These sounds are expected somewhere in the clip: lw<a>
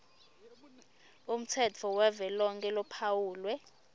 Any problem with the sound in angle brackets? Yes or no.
yes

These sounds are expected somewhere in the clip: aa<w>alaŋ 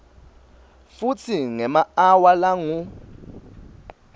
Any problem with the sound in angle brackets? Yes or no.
no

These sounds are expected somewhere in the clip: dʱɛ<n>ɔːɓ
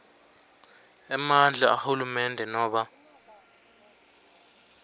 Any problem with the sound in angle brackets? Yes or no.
no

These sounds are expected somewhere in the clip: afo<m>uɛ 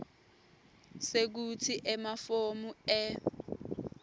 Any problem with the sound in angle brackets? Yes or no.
no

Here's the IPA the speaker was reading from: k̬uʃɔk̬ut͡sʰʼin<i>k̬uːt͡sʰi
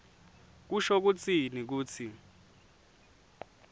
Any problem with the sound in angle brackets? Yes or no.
no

